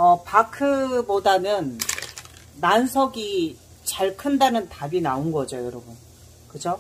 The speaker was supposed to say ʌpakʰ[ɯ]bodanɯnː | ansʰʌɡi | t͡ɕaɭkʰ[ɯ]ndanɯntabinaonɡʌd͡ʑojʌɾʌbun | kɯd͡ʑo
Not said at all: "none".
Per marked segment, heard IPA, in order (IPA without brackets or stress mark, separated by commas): ɯ, ɯ